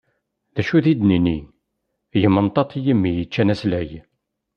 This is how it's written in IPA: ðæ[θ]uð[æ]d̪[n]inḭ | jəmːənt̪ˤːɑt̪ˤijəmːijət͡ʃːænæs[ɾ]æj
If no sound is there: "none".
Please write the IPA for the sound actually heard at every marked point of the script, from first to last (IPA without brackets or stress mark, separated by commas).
ʃ, i, n, l